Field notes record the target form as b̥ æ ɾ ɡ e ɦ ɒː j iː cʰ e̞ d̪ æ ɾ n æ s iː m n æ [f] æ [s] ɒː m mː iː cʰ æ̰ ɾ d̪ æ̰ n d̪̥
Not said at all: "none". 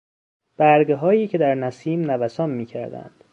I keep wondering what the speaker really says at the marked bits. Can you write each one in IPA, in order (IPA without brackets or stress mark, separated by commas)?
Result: v, s